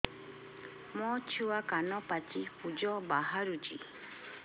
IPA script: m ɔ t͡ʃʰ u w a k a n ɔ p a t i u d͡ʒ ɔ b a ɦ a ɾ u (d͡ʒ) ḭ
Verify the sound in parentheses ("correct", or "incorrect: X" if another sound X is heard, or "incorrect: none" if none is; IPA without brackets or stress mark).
correct